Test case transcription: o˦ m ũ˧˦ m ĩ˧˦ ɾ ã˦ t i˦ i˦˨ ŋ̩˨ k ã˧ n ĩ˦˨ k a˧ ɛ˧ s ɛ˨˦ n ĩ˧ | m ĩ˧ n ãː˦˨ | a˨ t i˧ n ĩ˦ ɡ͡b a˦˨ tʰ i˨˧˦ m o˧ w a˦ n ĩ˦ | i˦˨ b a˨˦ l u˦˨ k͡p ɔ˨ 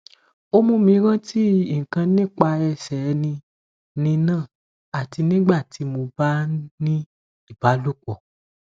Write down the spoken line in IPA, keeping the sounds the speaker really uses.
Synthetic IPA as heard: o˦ m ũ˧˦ m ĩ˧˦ ɾ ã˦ t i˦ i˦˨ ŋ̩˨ k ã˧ n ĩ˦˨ k͡p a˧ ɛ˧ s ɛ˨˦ n ĩ˧ | n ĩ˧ n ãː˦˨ | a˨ t i˧ n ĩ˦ ɡ͡b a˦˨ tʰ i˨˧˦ m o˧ b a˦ n ĩ˦ | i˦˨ b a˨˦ l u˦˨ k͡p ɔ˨